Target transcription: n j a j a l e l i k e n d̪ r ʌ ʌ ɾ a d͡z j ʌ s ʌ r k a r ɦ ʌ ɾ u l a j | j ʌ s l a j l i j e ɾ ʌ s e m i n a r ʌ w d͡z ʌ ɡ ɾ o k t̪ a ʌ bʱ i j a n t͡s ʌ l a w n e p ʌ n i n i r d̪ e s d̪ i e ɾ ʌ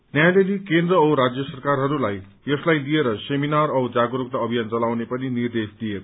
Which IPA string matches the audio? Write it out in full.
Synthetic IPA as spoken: n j a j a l e l i k e n d̪ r ʌ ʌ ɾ a d͡z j ʌ s ʌ r k a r ɦ ʌ ɾ u l a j | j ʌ s l a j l i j e ɾ ʌ s e m i n a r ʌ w d͡z a ɡ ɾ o k t̪ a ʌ bʱ i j a n t͡s ʌ l a w n e p ʌ n i n i r d̪ e s d̪ i e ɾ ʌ